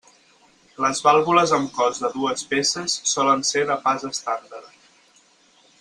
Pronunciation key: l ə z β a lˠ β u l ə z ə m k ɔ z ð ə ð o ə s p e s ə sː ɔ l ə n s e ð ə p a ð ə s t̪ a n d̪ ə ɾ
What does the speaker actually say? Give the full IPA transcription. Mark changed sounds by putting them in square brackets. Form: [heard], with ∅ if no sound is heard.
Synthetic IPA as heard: l ə z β a lˠ β u l ə z ə m k ɔ z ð ə ð [u] ə s p e s ə sː ɔ l ə n s e ð ə p a [z] ə s t̪ a n d̪ ə ɾ